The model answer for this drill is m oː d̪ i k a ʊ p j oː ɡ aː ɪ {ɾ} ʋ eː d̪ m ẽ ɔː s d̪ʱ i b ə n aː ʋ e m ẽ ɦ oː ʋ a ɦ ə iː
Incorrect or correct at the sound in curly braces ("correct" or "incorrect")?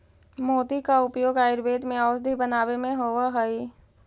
correct